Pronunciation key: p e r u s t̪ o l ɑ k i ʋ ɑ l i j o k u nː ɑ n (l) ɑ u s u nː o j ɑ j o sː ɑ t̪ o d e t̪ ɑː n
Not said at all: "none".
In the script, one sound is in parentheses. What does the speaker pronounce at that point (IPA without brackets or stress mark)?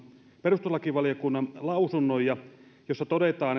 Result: l